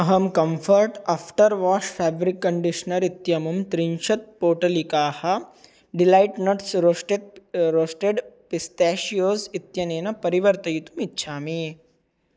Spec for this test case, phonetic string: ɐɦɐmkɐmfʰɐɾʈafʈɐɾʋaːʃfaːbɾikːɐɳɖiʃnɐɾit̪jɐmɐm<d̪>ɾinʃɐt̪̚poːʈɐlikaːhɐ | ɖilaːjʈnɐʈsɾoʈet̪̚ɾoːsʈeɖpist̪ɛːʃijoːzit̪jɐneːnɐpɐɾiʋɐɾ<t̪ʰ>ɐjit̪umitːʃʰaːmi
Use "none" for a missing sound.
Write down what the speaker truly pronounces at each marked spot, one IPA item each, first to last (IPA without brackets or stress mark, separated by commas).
t̪, t̪